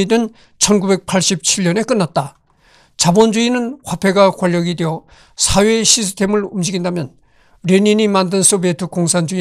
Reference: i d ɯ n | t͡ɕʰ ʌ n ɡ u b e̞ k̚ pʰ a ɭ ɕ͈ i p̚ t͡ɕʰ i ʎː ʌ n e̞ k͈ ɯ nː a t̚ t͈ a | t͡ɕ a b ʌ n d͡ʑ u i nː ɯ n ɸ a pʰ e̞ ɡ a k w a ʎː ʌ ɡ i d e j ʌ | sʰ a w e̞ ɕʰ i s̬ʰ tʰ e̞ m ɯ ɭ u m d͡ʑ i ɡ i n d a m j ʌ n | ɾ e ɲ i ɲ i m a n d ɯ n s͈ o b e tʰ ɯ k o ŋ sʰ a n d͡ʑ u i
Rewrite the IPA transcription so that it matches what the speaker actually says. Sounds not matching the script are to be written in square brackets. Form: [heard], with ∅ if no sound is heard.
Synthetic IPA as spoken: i d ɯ n | t͡ɕʰ ʌ n ɡ u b e̞ k̚ pʰ a ɭ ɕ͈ i p̚ t͡ɕʰ i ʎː ʌ n e̞ k͈ ɯ nː a t̚ t͈ a | t͡ɕ a b ʌ n d͡ʑ u i [n] ɯ n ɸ a pʰ e̞ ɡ a k w a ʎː ʌ ɡ i d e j ʌ | sʰ a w e̞ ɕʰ i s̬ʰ tʰ e̞ m ɯ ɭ u m d͡ʑ i ɡ i n d a m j ʌ n | ɾ e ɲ i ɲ i m a n d ɯ n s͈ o b e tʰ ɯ k o ŋ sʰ a n d͡ʑ u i